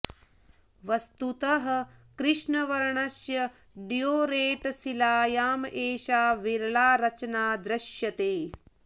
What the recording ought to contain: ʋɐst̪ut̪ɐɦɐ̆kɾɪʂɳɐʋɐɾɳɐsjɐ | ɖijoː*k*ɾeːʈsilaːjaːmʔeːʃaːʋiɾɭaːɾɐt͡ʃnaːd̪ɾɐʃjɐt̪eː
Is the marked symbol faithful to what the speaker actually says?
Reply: no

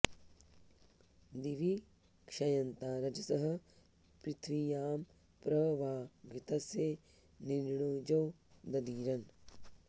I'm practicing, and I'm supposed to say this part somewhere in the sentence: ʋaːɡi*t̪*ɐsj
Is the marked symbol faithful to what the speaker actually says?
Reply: yes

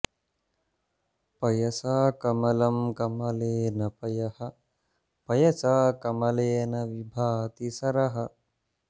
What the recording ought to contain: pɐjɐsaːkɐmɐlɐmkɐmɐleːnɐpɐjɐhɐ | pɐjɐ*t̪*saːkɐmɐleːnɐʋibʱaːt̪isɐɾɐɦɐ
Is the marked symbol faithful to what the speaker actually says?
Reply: no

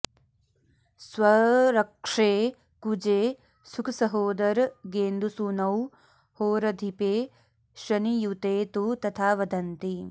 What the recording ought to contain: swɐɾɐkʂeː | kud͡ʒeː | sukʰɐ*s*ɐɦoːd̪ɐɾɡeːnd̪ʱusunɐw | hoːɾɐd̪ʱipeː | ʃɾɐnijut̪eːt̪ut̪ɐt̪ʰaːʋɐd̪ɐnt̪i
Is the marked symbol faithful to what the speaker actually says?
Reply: yes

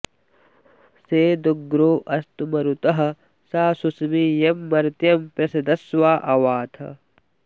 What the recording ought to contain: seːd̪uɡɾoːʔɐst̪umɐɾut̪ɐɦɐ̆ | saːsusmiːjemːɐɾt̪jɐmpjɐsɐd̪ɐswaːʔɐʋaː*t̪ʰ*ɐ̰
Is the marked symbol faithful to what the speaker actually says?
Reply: yes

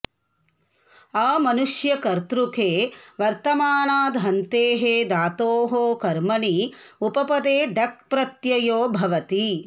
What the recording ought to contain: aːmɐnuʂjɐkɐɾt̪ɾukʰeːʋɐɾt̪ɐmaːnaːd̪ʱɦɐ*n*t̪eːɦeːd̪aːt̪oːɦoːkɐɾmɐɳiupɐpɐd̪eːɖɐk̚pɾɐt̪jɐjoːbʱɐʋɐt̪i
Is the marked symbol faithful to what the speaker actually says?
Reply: yes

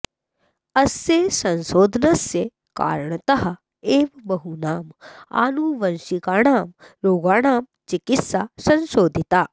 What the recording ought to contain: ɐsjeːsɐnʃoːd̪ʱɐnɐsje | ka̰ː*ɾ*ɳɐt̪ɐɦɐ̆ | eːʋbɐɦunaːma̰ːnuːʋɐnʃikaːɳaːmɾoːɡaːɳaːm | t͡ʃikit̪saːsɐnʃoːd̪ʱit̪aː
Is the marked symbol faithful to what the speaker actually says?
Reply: yes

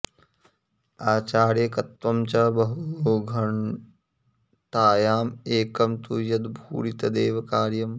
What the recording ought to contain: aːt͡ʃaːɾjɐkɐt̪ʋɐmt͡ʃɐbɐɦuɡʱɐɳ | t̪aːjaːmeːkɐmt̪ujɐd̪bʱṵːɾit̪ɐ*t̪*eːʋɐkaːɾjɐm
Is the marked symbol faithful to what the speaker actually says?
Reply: no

